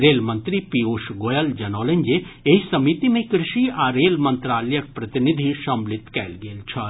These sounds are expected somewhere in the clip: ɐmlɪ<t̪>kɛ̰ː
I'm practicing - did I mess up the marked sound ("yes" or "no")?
no